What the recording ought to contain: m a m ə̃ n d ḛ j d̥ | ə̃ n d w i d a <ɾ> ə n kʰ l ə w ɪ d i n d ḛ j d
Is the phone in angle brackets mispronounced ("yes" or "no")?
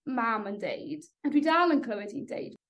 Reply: yes